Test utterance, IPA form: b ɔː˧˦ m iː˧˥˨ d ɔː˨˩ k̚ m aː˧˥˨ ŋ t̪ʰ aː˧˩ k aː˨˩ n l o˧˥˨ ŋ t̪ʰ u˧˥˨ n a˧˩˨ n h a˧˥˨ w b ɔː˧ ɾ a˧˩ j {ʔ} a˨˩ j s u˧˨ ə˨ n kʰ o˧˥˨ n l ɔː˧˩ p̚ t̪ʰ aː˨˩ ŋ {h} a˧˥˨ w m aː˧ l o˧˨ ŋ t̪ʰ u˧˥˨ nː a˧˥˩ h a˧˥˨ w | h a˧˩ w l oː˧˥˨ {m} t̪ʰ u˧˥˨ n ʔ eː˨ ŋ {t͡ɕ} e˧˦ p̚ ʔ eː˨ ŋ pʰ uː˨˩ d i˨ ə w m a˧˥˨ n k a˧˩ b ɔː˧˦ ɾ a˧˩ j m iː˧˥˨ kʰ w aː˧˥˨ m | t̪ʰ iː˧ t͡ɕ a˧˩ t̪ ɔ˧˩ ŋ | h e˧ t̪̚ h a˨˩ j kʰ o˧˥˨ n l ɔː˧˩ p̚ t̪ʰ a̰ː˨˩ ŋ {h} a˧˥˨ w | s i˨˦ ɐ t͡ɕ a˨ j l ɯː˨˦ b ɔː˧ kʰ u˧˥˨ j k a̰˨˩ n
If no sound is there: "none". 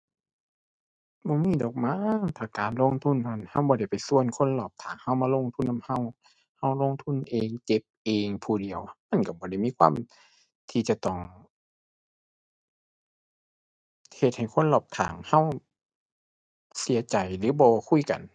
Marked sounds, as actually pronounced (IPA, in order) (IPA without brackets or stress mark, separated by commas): p, h, ŋ, t͡ɕ, h